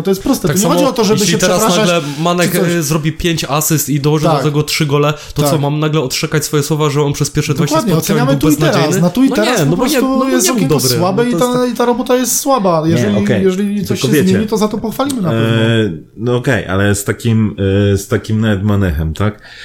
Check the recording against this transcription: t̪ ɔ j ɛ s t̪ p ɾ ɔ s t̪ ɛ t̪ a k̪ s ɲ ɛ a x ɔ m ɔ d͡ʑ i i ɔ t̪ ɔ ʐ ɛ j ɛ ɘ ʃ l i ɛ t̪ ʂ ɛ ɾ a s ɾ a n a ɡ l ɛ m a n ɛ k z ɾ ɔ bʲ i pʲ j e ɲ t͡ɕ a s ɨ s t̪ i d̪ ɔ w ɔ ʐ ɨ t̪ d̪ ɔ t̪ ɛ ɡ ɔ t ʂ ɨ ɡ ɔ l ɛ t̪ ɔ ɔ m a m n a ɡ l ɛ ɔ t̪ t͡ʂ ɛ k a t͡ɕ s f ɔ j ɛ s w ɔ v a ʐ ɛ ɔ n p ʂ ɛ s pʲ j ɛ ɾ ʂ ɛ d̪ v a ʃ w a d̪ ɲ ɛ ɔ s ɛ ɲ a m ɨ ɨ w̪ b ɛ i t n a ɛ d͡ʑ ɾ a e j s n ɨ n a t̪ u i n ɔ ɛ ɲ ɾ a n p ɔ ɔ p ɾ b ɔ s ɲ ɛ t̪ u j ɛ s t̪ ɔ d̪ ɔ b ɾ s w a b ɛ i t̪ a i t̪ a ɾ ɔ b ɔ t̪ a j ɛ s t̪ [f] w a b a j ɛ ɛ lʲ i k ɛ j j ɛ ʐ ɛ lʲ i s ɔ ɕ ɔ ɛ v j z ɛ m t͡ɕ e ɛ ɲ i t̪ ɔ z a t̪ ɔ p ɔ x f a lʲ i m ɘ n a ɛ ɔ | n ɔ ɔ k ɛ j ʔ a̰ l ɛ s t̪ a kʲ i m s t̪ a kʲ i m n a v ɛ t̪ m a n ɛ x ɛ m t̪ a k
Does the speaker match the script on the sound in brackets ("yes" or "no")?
no